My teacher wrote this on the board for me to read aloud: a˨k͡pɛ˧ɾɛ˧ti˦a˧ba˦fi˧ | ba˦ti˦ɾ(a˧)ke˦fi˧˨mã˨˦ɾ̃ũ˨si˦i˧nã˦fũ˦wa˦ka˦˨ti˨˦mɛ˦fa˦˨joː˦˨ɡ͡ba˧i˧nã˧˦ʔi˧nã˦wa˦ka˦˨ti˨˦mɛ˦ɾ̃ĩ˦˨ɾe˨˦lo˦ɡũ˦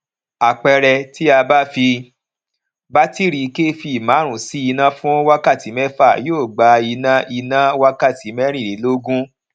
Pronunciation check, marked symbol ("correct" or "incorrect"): incorrect